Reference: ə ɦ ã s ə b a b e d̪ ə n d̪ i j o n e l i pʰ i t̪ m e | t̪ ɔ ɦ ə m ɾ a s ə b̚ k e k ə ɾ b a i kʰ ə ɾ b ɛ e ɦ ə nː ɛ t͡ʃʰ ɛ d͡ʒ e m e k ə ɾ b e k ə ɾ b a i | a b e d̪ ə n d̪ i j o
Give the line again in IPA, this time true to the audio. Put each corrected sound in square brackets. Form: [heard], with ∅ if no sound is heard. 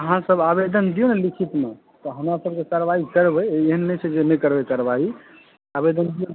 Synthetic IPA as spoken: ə ɦ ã s ə b a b e d̪ ə n d̪ i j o n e l i [kʰ] i t̪ m e | t̪ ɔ ɦ ə m ɾ a s ə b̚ k e k ə ɾ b a i [k] ə ɾ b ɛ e ɦ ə nː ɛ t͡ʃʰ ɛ d͡ʒ e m e k ə ɾ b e k ə ɾ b a i | a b e d̪ ə n d̪ i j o